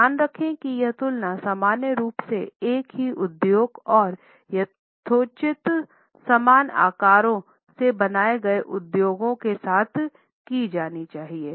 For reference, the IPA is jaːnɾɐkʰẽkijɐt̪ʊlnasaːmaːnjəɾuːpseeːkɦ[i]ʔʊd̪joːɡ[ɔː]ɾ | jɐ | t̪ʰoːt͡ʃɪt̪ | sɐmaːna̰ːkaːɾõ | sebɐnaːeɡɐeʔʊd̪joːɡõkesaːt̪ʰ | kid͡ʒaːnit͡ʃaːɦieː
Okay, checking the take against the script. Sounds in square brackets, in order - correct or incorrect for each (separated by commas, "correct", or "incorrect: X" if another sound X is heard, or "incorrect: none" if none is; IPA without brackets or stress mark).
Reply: correct, correct